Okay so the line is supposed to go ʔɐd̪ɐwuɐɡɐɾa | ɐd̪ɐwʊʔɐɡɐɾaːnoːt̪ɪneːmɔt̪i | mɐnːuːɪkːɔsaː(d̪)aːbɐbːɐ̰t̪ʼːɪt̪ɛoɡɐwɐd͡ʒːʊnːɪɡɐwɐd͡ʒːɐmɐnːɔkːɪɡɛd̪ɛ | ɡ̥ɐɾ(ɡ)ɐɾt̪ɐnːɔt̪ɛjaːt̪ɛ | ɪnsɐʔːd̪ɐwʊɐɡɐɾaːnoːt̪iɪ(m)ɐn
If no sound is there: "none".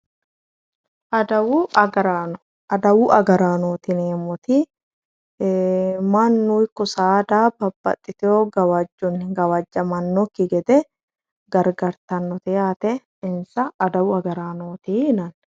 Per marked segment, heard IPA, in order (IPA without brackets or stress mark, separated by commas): d̪, ɡ, n